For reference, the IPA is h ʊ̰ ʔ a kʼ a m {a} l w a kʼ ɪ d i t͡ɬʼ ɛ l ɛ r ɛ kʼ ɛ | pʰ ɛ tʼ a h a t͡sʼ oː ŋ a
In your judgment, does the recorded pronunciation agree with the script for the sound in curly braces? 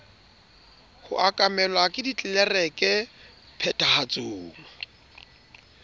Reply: no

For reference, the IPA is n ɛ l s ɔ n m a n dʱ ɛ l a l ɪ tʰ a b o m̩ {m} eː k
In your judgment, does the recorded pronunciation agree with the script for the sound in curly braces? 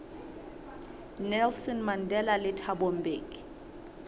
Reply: no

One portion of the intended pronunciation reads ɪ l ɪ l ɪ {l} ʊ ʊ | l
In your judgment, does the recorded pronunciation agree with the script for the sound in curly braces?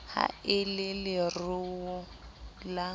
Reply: no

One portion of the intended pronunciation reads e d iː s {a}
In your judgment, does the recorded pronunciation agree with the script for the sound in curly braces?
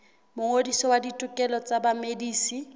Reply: no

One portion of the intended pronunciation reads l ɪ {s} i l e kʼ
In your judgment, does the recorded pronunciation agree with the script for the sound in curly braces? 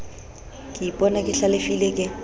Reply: no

